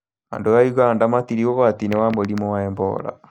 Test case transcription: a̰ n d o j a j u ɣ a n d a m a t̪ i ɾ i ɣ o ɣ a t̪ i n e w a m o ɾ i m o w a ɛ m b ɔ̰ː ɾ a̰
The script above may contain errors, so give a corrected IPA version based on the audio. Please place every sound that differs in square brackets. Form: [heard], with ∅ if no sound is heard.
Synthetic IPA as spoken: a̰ n d o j a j u ɣ a n d a m a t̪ i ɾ i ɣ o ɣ a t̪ i n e w a m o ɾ i m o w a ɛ m b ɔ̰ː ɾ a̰